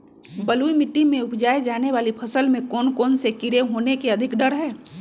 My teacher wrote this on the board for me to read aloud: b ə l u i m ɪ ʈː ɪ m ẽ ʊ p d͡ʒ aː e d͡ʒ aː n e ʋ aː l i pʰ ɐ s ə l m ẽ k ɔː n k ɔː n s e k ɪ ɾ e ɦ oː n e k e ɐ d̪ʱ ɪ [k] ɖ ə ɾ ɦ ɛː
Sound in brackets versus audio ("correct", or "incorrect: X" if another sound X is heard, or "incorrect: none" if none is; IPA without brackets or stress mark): correct